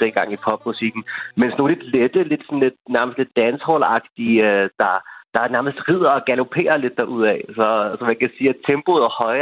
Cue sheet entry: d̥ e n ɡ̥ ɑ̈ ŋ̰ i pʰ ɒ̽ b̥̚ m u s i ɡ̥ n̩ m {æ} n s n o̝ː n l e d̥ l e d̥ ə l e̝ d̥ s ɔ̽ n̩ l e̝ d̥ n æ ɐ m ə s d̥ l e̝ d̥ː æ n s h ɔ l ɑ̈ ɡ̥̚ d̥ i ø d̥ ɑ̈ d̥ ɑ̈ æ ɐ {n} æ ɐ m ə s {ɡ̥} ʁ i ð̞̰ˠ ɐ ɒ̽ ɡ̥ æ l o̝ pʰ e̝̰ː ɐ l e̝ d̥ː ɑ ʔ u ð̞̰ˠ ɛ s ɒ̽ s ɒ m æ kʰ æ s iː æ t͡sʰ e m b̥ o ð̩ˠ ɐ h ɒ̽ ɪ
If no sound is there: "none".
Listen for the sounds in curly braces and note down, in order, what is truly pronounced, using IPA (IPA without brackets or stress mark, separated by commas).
e, n, d̥